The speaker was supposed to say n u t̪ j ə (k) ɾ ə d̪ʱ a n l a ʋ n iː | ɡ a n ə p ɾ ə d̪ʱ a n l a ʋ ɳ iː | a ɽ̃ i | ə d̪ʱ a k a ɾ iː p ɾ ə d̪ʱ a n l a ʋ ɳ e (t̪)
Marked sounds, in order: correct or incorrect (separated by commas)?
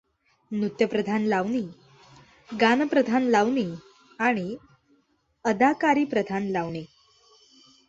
incorrect, incorrect